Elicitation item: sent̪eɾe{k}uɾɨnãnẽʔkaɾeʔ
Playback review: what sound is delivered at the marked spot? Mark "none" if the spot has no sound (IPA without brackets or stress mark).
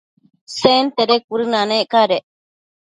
k